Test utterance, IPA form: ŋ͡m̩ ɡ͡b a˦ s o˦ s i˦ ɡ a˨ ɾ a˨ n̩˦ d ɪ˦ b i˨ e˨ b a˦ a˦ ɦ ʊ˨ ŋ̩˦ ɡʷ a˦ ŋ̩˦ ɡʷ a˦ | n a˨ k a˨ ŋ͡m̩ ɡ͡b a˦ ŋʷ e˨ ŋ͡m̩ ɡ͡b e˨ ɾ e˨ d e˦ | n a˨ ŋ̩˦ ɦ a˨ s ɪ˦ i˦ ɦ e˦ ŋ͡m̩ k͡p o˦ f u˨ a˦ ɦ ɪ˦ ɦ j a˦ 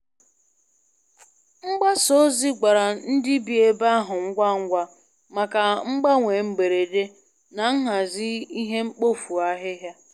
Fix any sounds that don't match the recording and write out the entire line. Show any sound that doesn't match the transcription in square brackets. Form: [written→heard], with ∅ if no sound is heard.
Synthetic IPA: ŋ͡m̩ ɡ͡b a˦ s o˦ [s→z] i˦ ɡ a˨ ɾ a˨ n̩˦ d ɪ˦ b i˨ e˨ b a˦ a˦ ɦ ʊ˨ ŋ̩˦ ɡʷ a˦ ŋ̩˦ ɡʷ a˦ | [n→m] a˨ k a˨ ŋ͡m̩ ɡ͡b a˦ ŋʷ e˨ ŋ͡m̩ ɡ͡b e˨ ɾ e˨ d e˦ | n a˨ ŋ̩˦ ɦ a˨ [s→z] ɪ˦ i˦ ɦ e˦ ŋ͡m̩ k͡p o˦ f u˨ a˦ ɦ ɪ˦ ɦ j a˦